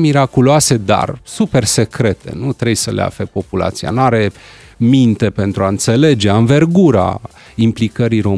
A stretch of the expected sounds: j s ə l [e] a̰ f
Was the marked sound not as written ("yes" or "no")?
no